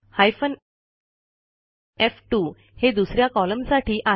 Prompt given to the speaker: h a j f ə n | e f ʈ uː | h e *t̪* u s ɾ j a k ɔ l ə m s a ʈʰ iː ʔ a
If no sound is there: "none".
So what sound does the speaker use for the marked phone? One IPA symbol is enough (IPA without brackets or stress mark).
d̪